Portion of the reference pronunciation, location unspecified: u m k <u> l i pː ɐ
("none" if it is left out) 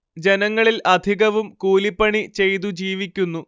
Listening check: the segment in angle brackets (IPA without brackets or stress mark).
uː